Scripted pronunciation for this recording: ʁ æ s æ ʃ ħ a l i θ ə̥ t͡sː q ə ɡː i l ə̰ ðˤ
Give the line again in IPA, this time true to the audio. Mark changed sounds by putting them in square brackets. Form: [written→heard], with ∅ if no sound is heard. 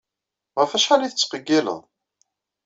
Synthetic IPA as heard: ʁ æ [s→f] æ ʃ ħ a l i θ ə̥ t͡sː q ə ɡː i l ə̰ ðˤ